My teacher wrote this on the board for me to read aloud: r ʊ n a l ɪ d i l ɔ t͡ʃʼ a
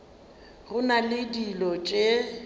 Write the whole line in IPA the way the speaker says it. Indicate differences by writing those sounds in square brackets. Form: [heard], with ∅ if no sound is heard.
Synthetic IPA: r ʊ n a l ɪ d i l ɔ t͡ʃʼ [e]